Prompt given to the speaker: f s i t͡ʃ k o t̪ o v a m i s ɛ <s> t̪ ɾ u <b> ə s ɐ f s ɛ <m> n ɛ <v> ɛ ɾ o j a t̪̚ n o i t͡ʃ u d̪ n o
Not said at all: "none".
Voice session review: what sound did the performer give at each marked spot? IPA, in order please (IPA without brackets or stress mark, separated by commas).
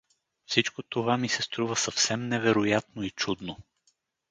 s, v, m, v